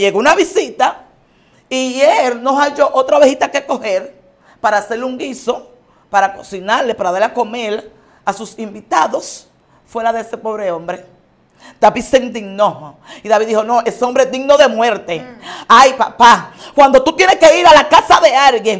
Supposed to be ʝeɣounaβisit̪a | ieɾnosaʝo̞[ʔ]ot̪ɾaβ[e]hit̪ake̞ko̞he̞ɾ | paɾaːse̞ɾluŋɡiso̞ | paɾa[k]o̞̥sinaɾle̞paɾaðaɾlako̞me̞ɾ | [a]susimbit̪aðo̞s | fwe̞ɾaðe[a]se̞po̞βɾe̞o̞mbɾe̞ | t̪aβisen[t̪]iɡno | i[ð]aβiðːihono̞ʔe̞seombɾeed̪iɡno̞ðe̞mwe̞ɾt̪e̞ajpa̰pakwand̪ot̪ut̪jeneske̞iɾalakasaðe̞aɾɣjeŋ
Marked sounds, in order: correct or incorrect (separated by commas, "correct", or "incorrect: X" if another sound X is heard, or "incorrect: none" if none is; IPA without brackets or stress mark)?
correct, correct, correct, correct, incorrect: e, incorrect: d̪, correct